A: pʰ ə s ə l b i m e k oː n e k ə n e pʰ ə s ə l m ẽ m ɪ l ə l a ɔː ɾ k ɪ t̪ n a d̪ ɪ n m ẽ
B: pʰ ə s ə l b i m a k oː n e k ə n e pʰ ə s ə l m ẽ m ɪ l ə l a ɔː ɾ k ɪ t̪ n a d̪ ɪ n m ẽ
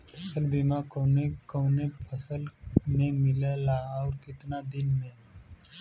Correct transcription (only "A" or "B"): B